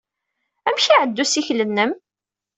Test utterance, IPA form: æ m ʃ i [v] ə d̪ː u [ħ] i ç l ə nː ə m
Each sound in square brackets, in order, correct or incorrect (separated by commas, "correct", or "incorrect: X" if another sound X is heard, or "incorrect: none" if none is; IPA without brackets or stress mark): incorrect: ʕ, incorrect: s